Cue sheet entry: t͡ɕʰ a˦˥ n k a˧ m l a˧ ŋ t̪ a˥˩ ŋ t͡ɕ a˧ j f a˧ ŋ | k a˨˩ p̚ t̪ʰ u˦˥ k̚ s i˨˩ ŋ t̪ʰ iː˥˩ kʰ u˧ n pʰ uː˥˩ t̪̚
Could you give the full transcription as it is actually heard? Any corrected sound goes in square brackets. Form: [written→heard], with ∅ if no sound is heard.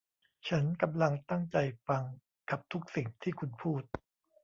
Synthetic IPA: t͡ɕʰ a˦˥ n k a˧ m l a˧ ŋ t̪ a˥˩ ŋ t͡ɕ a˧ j f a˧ ŋ | k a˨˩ p̚ t̪ʰ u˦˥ k̚ s i˨˩ ŋ t̪ʰ iː˥˩ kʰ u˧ n pʰ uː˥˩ t̪̚

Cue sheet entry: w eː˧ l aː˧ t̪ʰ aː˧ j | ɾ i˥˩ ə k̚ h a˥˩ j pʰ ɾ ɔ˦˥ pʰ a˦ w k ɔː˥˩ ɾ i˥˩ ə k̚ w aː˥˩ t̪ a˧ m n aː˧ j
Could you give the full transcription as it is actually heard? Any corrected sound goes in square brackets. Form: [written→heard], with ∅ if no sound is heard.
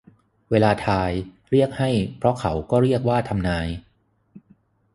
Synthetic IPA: w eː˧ l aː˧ t̪ʰ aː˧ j | ɾ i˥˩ ə k̚ h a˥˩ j pʰ ɾ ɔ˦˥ [pʰ→kʰ] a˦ w k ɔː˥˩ ɾ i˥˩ ə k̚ w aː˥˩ [t̪→t̪ʰ] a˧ m n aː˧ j

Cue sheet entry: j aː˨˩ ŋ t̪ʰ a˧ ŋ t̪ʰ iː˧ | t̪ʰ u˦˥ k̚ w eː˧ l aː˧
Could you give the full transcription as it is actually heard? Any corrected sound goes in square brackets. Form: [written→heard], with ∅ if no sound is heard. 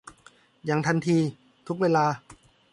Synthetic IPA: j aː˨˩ ŋ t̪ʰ a˧ [ŋ→n] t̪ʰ iː˧ | t̪ʰ u˦˥ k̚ w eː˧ l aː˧

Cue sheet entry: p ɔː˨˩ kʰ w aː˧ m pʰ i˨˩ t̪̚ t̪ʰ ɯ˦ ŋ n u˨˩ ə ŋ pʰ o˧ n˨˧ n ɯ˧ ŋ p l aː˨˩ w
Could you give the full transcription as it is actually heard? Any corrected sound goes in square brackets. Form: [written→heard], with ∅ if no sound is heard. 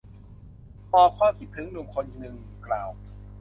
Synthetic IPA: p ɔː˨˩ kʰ w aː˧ m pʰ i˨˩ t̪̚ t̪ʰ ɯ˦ ŋ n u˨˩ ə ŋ [pʰ→kʰ] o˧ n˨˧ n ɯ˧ ŋ [p→k] l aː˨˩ w

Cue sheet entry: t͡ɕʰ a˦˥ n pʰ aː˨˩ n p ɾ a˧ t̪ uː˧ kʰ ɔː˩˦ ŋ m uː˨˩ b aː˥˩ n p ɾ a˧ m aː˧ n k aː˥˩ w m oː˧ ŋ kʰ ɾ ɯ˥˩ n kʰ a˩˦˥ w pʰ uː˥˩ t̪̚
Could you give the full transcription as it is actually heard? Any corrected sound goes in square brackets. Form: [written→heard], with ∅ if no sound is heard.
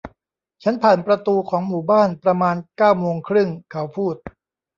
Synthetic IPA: t͡ɕʰ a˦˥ n pʰ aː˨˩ n p ɾ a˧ t̪ uː˧ kʰ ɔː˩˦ ŋ m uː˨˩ b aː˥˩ n p ɾ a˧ m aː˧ n k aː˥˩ w m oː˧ ŋ kʰ ɾ ɯ˥˩ [n→ŋ] kʰ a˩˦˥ w pʰ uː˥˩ t̪̚

